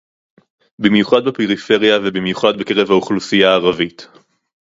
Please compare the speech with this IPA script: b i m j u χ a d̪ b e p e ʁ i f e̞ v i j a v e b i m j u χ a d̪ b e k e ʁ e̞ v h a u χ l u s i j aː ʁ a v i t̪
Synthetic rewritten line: b i m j u χ a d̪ b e p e ʁ i f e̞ ʁ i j a v e b i m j u χ a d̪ b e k e ʁ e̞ v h a u χ l u s i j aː ʁ a v i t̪